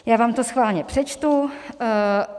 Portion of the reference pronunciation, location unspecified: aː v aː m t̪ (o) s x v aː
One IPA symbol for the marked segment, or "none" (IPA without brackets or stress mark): o